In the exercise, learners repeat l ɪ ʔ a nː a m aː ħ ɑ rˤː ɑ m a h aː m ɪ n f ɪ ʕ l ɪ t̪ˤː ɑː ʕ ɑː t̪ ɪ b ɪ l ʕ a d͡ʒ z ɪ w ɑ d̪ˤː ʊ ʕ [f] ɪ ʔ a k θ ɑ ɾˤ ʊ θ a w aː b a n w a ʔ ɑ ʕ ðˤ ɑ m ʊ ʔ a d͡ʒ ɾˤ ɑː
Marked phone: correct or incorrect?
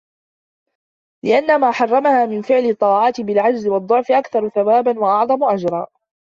correct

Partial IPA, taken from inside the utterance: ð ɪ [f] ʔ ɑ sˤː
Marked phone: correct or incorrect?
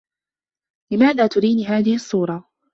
incorrect: h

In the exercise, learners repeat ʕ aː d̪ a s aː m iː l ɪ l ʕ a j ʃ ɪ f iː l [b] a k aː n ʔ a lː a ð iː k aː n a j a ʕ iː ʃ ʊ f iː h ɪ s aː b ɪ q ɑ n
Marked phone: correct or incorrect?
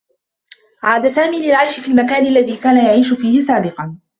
incorrect: m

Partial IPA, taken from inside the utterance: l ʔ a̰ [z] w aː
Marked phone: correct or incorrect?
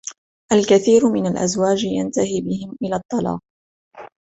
correct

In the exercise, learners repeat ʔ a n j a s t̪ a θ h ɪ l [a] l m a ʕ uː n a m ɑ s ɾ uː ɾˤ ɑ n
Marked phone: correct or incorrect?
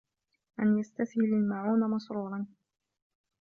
correct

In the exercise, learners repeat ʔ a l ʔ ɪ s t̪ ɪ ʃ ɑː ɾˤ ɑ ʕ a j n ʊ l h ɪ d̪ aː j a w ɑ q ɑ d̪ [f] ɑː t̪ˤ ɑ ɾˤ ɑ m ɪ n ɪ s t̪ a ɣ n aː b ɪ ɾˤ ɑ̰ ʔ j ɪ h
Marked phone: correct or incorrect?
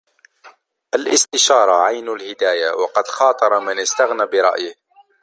incorrect: x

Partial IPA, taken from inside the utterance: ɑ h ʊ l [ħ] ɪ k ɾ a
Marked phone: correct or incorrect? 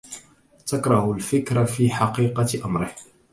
incorrect: f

